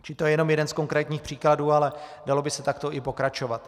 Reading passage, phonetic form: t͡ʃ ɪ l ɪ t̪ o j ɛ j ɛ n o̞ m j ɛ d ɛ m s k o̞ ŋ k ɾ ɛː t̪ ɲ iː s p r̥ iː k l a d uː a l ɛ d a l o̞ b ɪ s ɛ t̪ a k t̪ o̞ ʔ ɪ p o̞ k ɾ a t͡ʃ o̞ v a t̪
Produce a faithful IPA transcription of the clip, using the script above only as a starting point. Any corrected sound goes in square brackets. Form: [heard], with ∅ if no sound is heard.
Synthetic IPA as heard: t͡ʃ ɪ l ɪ t̪ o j ɛ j ɛ n o̞ m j ɛ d ɛ [n] s k o̞ ŋ k ɾ ɛː t̪ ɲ iː [x] p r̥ iː k l a d uː a l ɛ d a l o̞ b ɪ s ɛ t̪ a k t̪ o̞ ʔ ɪ p o̞ k ɾ a t͡ʃ o̞ v a t̪